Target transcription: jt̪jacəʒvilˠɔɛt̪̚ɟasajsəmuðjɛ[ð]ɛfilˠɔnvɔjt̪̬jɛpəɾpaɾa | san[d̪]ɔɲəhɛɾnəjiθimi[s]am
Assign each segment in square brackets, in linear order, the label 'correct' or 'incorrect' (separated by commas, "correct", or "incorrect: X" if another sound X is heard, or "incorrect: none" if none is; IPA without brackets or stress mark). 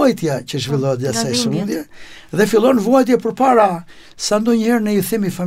correct, correct, incorrect: f